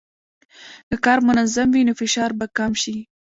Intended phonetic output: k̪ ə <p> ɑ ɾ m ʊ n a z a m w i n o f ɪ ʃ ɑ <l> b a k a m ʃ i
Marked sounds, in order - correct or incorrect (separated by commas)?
incorrect, incorrect